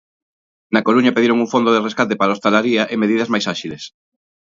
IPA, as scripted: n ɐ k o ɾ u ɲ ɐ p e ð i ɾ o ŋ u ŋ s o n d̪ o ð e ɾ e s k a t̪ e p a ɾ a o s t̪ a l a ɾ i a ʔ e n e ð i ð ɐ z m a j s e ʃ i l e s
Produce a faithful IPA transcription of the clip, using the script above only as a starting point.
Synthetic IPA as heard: n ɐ k o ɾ u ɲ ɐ p e ð i ɾ o ŋ u ŋ f o n d̪ o ð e r e s k a t̪ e p a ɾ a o s t̪ a l a ɾ i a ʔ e m e ð i ð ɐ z m a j s a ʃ i l e s